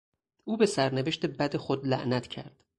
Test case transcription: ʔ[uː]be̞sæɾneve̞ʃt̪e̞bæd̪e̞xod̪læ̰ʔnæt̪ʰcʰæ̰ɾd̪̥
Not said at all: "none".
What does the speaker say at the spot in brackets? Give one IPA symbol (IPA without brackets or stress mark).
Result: uː